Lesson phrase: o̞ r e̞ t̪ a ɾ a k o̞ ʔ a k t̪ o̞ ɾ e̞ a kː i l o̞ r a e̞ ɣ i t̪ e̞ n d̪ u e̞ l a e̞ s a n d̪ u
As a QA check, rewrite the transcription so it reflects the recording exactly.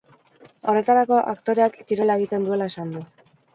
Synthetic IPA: o̞ r e̞ t̪ a ɾ a k o̞ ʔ a k t̪ o̞ ɾ e̞ a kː i ɾ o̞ l a e̞ ɣ i t̪ e̞ n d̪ u e̞ l a e̞ s a n d̪ u